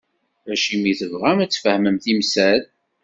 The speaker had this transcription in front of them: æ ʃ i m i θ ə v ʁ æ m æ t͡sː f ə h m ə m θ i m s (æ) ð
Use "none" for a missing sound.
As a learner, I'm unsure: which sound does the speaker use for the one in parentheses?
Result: æ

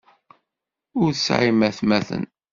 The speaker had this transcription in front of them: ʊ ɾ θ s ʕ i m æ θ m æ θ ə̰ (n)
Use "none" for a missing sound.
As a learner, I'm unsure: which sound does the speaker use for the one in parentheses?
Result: n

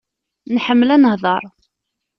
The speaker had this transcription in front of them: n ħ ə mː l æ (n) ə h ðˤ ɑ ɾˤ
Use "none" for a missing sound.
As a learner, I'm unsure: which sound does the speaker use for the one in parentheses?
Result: n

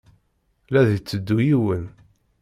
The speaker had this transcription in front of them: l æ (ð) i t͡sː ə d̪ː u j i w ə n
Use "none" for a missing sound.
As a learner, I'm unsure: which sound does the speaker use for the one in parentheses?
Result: ð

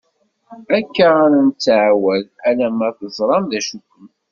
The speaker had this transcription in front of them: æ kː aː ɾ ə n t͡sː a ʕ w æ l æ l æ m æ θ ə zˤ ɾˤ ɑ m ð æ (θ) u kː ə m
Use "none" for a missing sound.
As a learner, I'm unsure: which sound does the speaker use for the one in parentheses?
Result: ʃ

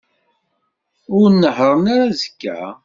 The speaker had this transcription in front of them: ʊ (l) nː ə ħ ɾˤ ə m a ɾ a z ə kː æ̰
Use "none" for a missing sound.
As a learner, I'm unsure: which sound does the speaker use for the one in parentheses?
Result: ɾ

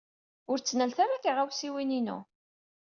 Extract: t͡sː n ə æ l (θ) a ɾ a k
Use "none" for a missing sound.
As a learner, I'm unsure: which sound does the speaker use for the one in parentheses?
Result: θ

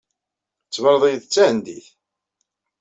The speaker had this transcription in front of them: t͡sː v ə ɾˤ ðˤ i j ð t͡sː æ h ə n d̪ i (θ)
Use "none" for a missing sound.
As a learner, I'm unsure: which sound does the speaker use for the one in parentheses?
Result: θ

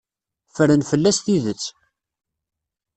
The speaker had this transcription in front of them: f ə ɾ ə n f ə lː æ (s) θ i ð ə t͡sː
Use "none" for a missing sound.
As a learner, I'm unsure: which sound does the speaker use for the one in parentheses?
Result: s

